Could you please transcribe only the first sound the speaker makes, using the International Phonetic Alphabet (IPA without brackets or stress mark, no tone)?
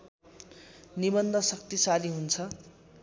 n